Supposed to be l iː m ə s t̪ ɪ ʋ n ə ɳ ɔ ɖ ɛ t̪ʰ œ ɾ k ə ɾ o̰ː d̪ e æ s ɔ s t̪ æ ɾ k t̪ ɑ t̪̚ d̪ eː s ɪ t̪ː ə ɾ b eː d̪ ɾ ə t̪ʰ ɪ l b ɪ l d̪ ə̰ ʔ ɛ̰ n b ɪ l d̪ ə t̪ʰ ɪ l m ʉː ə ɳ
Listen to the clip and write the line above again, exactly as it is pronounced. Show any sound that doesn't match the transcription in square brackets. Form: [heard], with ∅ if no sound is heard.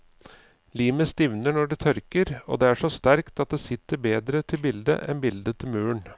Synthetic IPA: l iː m ə s t̪ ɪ ʋ n ə ɳ ɔ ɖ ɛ t̪ʰ œ ɾ k ə ɾ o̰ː d̪ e æ [ʂ] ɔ s t̪ æ ɾ k t̪ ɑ t̪̚ d̪ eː s ɪ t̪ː ə ɾ b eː d̪ ɾ ə t̪ʰ ɪ l b ɪ l d̪ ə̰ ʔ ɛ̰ n b ɪ l d̪ ə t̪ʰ ɪ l m ʉː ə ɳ